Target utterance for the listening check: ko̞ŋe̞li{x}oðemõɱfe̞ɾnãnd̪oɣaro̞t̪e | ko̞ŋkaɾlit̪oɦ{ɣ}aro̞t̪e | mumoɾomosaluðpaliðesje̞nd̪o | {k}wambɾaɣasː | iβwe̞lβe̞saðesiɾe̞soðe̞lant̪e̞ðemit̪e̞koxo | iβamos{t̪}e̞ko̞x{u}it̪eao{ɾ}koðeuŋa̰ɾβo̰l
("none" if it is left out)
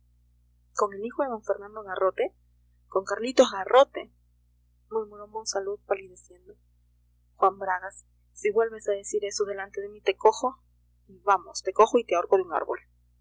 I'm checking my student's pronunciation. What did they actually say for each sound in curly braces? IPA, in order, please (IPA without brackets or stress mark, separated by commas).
x, ɣ, x, t̪, o, ɾ